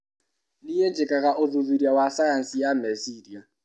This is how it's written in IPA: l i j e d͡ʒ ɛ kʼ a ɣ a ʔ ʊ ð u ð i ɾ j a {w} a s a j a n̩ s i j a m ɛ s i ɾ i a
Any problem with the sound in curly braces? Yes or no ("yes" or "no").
no